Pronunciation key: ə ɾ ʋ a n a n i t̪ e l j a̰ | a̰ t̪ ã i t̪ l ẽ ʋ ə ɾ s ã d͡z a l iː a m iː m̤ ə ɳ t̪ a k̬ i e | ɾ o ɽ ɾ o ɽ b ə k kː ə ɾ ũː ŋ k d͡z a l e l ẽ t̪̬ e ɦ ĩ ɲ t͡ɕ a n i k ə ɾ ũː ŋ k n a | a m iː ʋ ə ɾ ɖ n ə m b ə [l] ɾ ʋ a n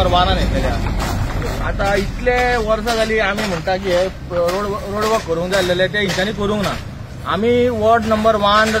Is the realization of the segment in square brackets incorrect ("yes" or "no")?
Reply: yes